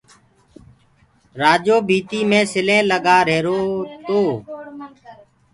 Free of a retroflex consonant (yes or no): yes